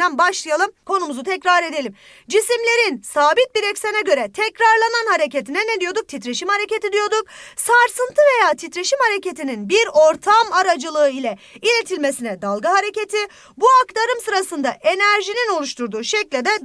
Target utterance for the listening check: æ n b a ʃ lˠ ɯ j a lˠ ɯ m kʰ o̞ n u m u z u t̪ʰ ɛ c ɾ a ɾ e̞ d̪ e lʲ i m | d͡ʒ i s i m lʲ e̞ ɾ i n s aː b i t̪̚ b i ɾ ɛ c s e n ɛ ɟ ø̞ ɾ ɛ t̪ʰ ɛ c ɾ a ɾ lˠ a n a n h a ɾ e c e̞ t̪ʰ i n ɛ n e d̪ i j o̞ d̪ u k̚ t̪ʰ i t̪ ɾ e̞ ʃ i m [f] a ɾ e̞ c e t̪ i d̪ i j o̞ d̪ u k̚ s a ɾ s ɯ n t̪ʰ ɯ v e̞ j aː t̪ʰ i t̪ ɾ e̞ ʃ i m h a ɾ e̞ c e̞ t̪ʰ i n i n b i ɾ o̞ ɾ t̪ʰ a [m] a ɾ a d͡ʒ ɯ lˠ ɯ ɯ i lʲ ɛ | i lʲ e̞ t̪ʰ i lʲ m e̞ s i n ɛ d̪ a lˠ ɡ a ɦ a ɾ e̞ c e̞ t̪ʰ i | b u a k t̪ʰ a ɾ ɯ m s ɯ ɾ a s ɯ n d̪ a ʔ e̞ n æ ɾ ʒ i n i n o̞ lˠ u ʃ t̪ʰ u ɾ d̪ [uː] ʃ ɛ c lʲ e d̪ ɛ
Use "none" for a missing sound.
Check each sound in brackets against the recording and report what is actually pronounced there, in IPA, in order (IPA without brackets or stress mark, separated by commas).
h, m, uː